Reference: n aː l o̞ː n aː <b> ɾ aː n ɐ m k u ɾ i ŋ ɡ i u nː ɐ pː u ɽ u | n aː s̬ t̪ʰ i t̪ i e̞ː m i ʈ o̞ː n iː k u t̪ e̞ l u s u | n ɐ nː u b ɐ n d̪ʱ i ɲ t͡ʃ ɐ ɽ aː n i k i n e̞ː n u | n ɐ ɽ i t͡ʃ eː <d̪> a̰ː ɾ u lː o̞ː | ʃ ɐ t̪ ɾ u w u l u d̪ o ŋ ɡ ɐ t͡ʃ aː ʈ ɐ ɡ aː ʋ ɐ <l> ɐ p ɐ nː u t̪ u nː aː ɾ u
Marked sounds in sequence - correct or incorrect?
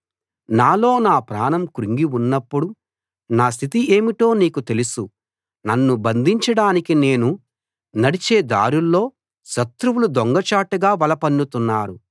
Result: incorrect: p, correct, correct

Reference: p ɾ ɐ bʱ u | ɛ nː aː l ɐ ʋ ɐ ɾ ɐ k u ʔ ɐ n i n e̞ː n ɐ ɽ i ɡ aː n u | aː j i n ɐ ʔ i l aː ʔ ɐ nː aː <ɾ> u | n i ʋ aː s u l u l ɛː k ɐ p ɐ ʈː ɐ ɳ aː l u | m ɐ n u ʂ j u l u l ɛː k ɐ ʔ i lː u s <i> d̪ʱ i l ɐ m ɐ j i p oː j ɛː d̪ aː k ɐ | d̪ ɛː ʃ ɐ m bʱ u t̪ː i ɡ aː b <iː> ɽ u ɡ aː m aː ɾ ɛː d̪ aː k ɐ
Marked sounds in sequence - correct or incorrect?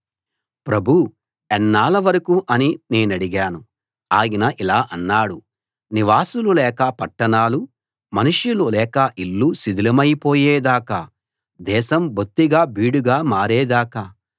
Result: incorrect: ɽ, correct, correct

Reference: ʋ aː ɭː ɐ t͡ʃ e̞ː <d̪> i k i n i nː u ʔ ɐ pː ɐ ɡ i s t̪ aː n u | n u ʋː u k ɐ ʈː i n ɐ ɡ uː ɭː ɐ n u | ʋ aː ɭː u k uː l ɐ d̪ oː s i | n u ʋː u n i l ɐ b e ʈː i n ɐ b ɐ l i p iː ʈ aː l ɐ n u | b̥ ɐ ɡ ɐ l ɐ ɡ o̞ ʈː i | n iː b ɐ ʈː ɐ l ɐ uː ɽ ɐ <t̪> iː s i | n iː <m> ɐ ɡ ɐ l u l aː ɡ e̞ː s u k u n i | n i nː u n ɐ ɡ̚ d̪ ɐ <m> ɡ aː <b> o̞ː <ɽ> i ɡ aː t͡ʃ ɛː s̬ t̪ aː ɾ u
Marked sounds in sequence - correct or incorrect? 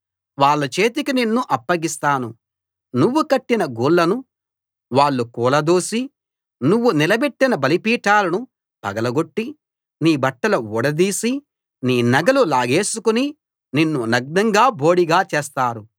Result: incorrect: t̪, incorrect: d̪, incorrect: n, incorrect: ŋ, correct, correct

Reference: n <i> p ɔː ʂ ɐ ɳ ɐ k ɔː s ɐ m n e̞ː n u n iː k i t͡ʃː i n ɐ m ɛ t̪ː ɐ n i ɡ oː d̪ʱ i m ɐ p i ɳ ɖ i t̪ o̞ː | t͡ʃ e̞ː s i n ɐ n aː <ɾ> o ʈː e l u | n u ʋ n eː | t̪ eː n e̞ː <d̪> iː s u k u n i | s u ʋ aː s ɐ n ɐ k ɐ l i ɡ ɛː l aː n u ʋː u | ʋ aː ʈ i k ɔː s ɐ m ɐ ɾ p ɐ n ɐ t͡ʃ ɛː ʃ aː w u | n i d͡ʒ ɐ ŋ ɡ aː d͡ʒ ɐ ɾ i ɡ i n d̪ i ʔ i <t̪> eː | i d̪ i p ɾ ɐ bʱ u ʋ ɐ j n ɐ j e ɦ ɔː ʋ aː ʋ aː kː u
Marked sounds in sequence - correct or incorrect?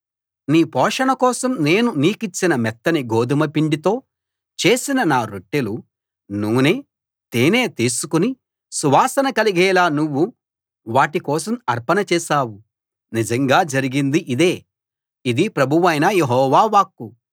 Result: incorrect: iː, correct, incorrect: t̪, incorrect: d̪

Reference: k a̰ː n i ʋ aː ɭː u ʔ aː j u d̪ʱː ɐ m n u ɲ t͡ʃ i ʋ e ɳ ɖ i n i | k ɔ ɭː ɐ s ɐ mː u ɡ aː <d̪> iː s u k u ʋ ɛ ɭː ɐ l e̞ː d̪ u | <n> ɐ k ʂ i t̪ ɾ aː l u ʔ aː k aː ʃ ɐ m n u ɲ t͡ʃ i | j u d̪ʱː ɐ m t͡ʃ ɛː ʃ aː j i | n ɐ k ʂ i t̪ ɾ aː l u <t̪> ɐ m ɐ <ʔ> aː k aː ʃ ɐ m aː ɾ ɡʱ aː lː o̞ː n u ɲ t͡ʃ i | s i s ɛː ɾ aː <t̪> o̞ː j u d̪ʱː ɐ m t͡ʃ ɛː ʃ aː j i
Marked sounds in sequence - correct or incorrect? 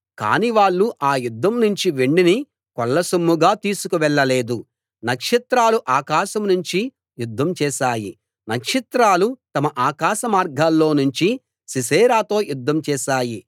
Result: incorrect: t̪, correct, correct, correct, correct

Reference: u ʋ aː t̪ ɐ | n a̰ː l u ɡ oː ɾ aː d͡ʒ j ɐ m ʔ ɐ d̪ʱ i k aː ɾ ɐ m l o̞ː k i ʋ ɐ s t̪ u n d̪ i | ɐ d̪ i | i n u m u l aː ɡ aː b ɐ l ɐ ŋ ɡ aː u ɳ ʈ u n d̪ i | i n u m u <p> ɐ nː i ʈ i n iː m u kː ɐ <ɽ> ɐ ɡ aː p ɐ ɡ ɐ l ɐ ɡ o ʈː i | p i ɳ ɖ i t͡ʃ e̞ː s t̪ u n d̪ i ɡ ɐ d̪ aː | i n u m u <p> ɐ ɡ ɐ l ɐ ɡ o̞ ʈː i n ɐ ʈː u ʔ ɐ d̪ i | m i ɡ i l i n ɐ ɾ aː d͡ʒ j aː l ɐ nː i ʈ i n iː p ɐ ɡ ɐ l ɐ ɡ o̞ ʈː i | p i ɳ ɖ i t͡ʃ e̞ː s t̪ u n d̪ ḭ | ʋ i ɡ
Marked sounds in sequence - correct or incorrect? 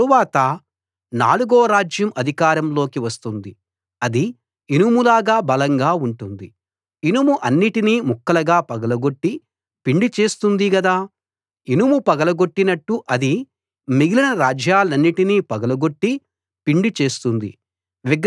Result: incorrect: ʔ, incorrect: l, correct

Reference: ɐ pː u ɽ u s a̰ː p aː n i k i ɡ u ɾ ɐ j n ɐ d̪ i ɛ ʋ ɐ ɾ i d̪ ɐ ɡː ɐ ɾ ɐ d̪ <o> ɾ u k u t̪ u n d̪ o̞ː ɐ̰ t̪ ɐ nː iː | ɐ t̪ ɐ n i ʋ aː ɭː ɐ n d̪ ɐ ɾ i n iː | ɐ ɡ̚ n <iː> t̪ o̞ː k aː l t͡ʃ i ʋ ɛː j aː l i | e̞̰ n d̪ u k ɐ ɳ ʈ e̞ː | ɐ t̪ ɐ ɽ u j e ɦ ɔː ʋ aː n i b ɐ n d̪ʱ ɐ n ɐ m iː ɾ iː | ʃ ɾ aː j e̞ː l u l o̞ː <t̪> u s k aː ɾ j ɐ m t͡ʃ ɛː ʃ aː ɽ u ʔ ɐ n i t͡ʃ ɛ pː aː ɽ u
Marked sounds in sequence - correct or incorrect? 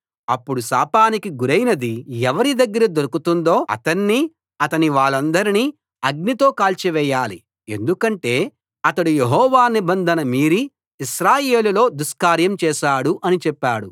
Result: correct, incorrect: i, incorrect: d̪

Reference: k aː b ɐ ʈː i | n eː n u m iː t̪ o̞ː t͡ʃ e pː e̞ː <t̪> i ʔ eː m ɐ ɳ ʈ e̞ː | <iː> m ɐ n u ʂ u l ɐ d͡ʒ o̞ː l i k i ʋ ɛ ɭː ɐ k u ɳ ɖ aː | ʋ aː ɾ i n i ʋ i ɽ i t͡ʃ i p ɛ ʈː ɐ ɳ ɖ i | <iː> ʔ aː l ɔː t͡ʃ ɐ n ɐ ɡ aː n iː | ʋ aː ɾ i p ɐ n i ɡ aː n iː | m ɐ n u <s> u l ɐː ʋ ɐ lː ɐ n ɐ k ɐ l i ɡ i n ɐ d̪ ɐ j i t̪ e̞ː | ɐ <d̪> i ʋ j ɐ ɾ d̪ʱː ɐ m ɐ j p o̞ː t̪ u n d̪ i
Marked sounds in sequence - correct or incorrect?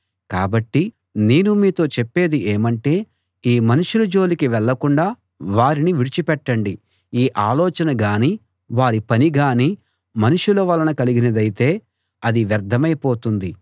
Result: incorrect: d̪, correct, correct, incorrect: ʂ, correct

